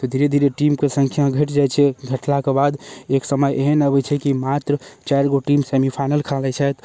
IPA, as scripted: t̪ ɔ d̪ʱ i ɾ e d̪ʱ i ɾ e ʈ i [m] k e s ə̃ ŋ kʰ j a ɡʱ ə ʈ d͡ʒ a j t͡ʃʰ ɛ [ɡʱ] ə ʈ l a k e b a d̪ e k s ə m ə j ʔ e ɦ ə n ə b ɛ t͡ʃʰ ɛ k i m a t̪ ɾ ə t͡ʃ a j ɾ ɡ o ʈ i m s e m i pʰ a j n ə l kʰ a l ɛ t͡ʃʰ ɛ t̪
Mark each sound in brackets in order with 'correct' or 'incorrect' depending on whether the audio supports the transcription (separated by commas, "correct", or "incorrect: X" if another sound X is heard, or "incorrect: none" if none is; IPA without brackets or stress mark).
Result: correct, correct